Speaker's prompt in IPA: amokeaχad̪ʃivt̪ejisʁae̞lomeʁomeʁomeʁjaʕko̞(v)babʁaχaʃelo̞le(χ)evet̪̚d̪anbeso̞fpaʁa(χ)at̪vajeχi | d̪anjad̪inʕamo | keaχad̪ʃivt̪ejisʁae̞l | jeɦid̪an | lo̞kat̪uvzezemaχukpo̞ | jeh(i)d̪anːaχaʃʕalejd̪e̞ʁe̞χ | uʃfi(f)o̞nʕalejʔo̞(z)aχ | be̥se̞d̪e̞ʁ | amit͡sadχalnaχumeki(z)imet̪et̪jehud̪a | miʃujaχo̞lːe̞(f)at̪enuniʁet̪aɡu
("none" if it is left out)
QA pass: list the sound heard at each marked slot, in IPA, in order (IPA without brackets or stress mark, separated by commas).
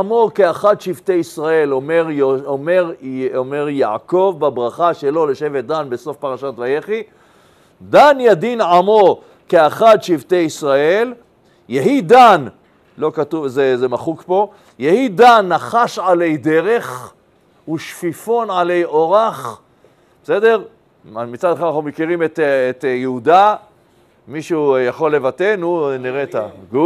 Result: v, ʃ, ʃ, i, f, ʁ, ʁ, v